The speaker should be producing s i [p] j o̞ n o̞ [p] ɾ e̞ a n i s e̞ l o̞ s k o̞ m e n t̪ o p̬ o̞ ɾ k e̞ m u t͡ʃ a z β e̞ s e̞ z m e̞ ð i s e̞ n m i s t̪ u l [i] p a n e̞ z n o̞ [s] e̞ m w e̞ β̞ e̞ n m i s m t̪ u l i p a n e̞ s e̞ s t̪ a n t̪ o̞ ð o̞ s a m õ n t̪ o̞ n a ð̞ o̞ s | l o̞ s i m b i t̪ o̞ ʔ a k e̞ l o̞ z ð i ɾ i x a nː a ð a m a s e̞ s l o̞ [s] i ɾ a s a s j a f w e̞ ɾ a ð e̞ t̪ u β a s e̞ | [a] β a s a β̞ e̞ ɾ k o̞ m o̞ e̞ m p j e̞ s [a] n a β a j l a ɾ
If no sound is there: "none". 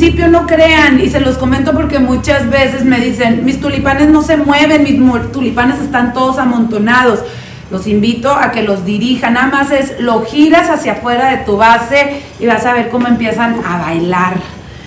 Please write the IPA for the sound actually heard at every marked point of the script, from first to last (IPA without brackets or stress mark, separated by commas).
p, k, i, s, x, i, a